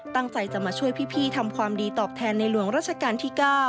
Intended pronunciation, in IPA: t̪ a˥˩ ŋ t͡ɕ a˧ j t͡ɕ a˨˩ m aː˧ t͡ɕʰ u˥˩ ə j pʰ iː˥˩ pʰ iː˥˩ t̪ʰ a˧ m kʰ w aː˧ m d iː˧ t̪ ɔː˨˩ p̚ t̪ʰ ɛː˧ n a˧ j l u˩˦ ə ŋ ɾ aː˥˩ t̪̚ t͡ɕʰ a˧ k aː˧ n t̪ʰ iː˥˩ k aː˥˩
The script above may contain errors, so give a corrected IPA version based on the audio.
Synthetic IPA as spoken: t̪ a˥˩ ŋ t͡ɕ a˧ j t͡ɕ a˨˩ m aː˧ t͡ɕʰ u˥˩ ə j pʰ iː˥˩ pʰ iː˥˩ t̪ʰ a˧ m kʰ w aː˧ m d iː˧ t̪ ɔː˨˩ p̚ t̪ʰ ɛː˧ nː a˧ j l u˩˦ ə ŋ ɾ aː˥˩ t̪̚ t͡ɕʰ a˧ k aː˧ n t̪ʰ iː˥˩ k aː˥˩